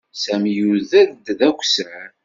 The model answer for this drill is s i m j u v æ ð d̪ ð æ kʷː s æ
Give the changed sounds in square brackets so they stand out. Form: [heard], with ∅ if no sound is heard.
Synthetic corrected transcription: s [æ] m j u [ð] æ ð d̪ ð æ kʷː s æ